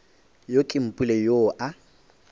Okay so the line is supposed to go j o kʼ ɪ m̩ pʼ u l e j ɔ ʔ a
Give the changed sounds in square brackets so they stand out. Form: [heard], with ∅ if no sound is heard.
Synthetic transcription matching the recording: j o kʼ ɪ m̩ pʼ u l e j [o] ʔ a